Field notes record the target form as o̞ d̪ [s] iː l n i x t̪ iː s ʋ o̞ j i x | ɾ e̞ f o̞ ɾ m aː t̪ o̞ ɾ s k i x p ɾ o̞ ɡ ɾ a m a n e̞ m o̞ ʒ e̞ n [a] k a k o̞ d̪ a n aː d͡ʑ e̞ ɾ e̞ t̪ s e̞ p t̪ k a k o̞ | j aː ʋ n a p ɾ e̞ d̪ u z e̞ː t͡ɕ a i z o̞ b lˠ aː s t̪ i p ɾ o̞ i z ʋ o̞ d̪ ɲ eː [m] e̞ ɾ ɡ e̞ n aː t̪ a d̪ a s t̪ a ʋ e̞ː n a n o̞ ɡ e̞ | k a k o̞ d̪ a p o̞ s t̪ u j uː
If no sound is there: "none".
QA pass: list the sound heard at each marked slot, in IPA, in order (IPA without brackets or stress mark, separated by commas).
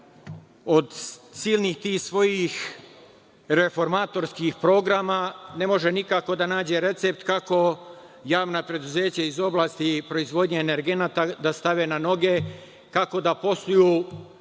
s, i, n